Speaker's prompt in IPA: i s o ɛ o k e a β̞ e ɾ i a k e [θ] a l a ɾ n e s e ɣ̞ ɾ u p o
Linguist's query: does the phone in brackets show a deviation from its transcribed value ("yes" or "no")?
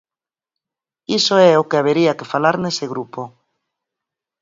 yes